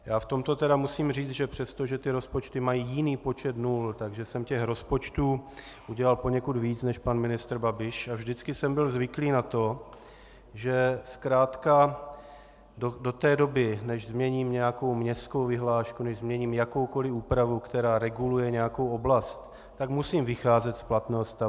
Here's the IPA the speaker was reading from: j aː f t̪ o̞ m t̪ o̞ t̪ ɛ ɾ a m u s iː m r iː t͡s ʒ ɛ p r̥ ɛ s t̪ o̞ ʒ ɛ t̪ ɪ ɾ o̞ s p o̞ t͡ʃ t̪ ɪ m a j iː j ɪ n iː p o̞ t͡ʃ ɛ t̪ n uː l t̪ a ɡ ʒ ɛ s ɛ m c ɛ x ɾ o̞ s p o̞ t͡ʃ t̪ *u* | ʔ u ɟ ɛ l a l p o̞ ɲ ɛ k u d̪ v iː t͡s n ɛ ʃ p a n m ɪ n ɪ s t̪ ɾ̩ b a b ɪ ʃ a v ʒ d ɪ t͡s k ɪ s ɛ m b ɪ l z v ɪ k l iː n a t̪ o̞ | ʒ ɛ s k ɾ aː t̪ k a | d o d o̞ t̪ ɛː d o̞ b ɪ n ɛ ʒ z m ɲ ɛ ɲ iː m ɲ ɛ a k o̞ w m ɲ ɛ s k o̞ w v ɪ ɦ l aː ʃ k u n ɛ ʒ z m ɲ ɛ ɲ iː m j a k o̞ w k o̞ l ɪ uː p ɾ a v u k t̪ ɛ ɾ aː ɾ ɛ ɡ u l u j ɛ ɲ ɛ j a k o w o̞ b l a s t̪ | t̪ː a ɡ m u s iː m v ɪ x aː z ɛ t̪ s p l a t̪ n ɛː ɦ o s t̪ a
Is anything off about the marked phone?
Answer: yes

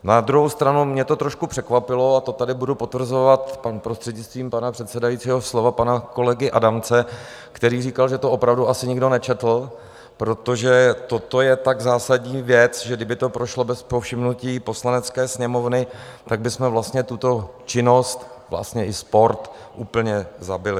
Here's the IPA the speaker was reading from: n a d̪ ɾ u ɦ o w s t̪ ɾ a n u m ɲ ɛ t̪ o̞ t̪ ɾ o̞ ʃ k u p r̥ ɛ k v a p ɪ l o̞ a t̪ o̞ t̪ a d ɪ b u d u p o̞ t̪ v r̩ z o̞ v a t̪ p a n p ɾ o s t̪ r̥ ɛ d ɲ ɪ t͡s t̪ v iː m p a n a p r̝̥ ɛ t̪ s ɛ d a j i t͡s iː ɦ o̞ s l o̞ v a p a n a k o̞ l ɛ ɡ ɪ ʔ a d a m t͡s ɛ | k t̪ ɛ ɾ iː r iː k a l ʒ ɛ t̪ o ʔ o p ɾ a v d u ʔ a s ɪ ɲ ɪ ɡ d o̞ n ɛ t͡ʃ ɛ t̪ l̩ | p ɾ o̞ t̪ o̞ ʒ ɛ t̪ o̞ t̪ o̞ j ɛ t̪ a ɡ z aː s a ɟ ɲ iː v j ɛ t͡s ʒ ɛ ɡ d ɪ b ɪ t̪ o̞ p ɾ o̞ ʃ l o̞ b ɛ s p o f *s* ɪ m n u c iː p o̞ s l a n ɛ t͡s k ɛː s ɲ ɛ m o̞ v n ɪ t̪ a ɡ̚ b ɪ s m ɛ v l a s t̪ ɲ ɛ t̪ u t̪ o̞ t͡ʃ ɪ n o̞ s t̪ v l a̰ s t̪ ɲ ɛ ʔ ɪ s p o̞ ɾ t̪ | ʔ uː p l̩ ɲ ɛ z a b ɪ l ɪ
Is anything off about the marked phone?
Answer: yes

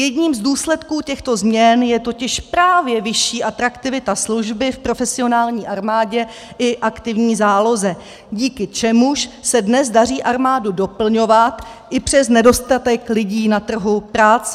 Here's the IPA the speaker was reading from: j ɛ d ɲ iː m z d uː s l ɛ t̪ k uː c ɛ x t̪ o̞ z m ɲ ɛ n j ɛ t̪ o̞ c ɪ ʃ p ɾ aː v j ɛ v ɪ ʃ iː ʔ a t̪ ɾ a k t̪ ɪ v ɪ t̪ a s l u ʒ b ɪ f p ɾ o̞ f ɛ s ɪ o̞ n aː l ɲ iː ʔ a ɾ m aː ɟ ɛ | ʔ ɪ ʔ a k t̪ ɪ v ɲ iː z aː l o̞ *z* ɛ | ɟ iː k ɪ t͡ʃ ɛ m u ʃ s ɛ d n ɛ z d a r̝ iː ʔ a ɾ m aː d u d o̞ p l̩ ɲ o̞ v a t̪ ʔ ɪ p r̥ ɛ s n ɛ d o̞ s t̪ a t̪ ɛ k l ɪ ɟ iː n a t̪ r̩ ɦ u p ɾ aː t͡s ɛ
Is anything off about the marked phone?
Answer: no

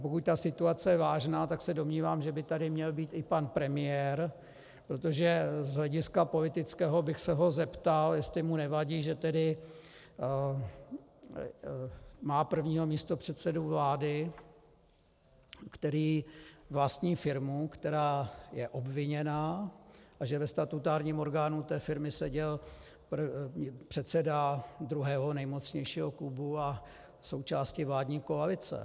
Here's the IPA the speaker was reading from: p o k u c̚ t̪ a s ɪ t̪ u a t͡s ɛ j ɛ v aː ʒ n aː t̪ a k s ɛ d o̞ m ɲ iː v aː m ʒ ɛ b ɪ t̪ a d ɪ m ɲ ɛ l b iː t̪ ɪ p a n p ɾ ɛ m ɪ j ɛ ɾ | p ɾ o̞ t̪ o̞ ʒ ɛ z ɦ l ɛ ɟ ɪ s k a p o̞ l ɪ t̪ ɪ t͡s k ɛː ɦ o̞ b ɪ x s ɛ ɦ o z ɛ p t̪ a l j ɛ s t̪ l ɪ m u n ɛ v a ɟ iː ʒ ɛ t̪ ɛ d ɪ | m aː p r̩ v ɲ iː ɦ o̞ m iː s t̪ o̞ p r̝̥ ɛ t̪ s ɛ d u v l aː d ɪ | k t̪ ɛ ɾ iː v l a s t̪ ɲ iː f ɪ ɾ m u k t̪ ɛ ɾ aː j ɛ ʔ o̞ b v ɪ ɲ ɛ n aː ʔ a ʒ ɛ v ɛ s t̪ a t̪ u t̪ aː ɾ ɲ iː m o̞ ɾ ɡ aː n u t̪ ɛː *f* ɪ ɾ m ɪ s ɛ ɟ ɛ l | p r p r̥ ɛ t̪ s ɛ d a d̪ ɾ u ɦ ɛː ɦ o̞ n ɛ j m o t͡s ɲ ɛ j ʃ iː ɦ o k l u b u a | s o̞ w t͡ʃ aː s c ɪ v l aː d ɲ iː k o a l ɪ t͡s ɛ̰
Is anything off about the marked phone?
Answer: no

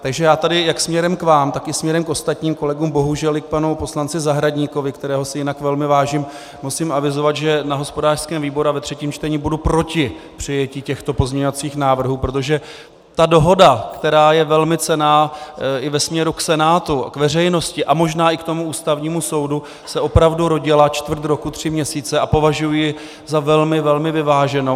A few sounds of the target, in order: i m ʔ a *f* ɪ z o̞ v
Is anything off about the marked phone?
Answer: yes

